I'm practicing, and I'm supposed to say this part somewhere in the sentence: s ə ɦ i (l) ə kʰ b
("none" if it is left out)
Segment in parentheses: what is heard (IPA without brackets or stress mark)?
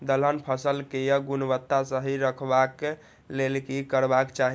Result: ɾ